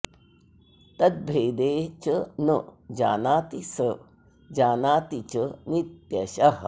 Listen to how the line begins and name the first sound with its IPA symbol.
t̪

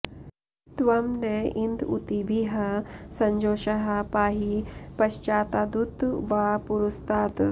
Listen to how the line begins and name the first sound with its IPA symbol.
t̪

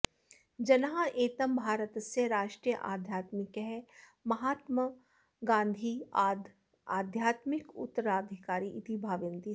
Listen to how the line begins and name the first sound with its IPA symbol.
d͡ʒ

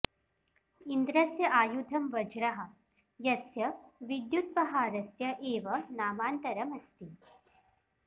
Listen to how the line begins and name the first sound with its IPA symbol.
i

